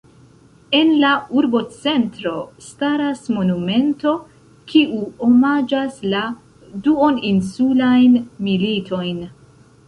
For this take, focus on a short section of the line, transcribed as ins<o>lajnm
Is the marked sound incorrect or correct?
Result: incorrect